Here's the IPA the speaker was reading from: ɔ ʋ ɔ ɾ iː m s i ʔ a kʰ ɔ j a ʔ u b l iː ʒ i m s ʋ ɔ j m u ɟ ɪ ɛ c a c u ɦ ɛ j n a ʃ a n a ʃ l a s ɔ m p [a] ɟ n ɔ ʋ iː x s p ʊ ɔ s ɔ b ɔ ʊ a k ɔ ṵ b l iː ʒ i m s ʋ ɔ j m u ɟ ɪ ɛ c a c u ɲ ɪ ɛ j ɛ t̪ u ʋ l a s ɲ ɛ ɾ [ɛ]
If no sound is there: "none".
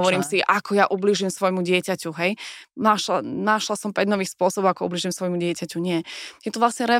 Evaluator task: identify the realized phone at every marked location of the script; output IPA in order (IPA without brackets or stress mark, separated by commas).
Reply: ɛ, ɛ